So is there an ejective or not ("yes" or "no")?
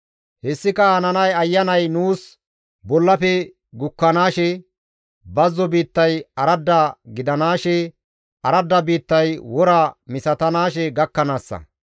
no